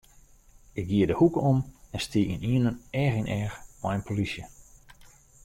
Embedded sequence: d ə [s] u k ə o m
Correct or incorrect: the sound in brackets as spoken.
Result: incorrect: h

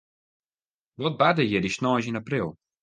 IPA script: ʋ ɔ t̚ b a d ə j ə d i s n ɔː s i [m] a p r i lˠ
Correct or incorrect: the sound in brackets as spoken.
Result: incorrect: n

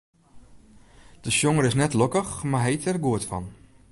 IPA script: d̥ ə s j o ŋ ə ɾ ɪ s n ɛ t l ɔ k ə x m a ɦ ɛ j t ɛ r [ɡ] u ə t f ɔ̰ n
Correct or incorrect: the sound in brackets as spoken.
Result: correct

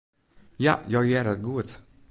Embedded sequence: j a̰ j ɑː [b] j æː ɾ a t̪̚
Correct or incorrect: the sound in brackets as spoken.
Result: incorrect: ɡ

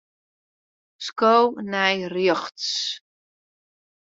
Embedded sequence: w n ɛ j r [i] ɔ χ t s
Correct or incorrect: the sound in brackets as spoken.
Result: incorrect: j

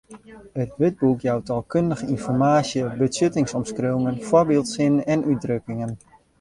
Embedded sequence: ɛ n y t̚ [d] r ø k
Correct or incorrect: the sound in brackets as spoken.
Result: correct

